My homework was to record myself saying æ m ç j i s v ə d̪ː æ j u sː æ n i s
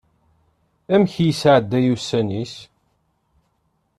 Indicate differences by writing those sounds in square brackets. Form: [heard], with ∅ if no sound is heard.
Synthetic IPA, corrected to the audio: æ m ç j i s [ʕ] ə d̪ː æ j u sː æ n i s